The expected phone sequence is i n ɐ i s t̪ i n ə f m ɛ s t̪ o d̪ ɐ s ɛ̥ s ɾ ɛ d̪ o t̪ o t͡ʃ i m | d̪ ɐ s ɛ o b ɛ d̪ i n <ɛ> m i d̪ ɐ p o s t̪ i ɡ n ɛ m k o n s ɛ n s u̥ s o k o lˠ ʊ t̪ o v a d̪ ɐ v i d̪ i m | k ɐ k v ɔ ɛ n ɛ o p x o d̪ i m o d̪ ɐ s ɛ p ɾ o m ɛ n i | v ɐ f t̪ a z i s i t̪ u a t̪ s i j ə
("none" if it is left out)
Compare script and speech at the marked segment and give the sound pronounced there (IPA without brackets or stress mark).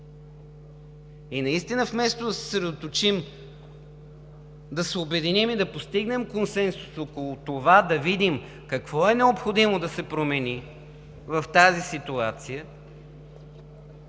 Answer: i